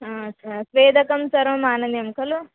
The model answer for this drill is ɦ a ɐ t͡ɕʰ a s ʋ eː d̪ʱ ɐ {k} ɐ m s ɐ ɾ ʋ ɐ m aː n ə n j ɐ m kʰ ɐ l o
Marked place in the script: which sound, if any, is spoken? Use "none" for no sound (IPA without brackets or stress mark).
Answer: k